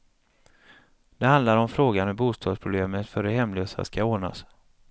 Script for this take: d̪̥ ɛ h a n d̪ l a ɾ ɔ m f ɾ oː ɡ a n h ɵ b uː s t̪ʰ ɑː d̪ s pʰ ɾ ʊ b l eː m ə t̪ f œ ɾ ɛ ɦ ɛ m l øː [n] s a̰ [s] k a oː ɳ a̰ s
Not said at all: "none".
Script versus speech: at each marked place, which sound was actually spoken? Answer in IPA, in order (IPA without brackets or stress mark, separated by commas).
none, s